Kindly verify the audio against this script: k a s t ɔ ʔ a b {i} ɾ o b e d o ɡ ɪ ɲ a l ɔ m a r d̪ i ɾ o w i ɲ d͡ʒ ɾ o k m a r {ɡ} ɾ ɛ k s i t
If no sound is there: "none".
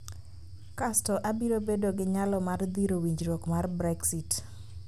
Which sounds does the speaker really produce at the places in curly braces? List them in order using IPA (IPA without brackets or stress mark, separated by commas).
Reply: i, b